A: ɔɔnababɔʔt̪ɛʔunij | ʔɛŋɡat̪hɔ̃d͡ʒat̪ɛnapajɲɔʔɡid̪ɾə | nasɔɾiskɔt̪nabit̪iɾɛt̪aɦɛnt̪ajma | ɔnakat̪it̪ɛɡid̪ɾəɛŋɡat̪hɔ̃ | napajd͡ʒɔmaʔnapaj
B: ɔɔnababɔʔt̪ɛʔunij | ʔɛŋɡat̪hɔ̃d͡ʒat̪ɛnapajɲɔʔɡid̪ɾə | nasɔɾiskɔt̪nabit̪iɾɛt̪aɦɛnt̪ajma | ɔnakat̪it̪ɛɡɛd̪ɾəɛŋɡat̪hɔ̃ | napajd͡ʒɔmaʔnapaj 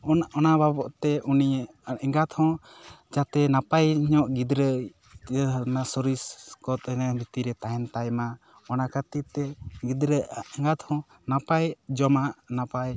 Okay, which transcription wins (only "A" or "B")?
A